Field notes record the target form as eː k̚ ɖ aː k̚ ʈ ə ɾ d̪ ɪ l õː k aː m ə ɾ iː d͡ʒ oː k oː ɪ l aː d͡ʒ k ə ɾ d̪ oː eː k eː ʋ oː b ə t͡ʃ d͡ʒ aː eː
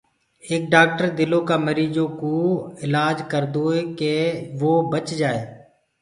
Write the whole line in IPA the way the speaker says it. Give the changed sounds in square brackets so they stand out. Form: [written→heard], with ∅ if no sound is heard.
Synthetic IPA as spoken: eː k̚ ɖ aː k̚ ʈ ə ɾ d̪ ɪ l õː k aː m ə ɾ iː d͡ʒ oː k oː ɪ l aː d͡ʒ k ə ɾ d̪ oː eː k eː ʋ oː b ə t͡ʃ d͡ʒ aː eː